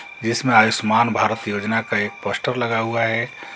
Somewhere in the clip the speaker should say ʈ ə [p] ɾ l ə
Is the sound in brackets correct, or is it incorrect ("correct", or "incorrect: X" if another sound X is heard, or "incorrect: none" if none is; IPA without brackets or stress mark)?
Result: incorrect: none